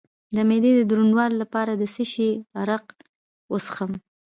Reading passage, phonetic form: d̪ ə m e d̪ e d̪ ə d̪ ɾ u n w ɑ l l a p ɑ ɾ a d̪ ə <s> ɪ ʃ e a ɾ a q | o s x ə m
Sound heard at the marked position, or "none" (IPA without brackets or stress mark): s